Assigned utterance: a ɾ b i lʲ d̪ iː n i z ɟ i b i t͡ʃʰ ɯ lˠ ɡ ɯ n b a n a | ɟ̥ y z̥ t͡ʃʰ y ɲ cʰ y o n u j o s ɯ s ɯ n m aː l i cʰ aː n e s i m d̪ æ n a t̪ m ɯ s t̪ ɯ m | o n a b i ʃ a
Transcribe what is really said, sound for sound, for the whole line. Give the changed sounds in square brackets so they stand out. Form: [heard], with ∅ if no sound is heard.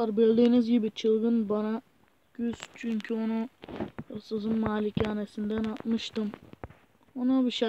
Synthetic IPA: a ɾ b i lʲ d̪ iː n i z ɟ i b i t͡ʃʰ ɯ lˠ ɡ ɯ n b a n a | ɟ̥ y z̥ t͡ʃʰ y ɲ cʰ y o n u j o s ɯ [z] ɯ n m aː l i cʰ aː n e s i [n] d̪ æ n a t̪ m ɯ [ʃ] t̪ ɯ m | o n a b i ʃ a